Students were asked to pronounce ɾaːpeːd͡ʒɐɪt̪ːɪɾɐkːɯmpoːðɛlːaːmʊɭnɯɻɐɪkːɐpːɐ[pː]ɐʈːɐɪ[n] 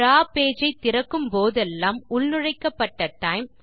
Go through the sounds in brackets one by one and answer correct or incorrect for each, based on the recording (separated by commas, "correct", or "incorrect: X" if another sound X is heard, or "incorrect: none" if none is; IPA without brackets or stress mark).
incorrect: ʈː, incorrect: m